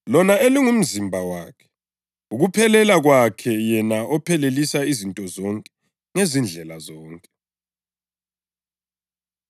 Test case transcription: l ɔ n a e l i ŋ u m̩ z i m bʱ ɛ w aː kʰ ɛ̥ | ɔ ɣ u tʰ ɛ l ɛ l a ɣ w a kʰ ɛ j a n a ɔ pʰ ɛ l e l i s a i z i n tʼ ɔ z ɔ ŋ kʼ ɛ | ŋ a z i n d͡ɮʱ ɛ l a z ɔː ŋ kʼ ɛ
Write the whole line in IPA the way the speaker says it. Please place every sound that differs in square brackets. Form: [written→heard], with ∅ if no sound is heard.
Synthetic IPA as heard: l ɔ n a e l i ŋ u m̩ z i m bʱ [ɛ→a] w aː kʰ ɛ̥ | [ɔ→u] ɣ u [tʰ→pʰ] ɛ l ɛ l a ɣ w a kʰ ɛ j [a→ɛ] n a ɔ pʰ ɛ l e l i s a i z i n tʼ ɔ z ɔ ŋ kʼ ɛ | ŋ [a→e] z i n d͡ɮʱ ɛ l a z ɔː ŋ kʼ ɛ